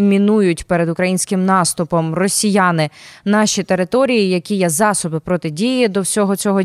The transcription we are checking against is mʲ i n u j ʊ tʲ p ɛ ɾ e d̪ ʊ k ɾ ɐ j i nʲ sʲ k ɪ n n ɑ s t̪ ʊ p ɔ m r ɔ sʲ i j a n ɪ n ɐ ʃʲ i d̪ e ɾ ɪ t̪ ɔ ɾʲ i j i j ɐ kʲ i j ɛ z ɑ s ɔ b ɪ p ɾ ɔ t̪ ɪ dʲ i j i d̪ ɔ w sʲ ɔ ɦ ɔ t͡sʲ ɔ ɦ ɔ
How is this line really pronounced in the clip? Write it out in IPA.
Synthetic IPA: mʲ i n u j ʊ tʲ p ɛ ɾ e d̪ ʊ k ɾ ɐ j i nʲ sʲ k ɪ m n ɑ s t̪ ʊ p ɔ m r ɔ sʲ i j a n ɪ n ɑ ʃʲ i t̪ e ɾ ɪ t̪ ɔ ɾʲ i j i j ɐ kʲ i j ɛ z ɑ s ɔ b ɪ p ɾ ɔ t̪ ɪ dʲ i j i d̪ ɔ w sʲ ɔ ɦ ɔ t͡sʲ ɔ ɦ ɔ